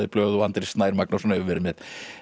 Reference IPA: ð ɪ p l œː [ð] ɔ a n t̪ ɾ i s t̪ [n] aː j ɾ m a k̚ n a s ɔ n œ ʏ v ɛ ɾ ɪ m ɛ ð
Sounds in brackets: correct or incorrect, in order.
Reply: correct, correct

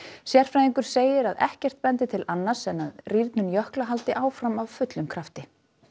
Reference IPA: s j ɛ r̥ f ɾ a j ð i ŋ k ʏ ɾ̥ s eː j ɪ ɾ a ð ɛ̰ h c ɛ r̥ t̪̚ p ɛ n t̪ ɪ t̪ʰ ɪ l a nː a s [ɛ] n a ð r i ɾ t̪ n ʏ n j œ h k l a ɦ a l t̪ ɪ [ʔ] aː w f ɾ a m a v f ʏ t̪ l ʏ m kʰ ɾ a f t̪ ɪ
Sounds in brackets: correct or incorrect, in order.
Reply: correct, correct

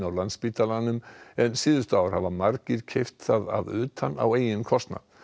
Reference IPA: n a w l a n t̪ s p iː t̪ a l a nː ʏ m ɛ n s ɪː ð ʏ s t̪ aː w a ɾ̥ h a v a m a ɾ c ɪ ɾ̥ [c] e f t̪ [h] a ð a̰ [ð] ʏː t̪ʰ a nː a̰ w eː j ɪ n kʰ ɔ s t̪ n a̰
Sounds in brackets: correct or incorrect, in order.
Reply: incorrect, incorrect, correct

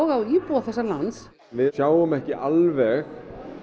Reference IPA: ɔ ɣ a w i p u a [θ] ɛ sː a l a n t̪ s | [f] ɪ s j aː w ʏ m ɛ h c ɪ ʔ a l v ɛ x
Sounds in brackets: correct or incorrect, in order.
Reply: correct, incorrect

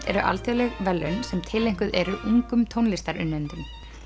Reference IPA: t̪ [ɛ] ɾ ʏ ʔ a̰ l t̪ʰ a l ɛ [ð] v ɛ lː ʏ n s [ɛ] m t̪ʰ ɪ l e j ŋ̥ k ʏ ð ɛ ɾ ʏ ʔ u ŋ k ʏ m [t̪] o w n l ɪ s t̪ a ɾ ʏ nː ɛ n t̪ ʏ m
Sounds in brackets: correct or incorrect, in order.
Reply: correct, incorrect, correct, incorrect

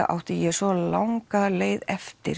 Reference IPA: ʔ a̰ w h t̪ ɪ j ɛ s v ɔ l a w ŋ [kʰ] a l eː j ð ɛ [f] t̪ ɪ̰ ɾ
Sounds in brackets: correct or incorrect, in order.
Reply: incorrect, correct

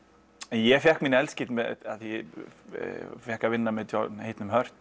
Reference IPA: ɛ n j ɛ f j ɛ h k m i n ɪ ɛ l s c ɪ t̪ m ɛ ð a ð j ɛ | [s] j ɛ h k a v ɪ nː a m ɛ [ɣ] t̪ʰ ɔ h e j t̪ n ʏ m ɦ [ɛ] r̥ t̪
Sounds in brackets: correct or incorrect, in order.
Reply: incorrect, incorrect, incorrect

